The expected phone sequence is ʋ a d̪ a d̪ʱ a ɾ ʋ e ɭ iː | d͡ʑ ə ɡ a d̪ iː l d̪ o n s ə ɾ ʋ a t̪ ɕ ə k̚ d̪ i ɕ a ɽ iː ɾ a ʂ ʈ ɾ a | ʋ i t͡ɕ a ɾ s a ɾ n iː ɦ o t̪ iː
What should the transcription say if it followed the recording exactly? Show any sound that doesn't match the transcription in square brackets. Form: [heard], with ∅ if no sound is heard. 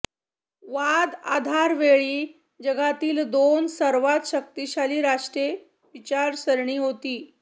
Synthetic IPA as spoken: ʋ a d̪ a d̪ʱ a ɾ ʋ e ɭ iː | d͡ʑ ə ɡ a [t̪] iː l d̪ o n s ə ɾ ʋ a t̪ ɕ ə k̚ [t̪] i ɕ a [l] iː ɾ a ʂ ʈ ɾ [e] | ʋ i t͡ɕ a ɾ s [ə] ɾ [ɳ] iː ɦ o t̪ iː